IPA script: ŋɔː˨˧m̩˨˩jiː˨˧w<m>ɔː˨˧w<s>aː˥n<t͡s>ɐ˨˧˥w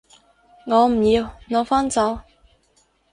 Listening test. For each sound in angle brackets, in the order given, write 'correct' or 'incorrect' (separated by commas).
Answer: incorrect, incorrect, correct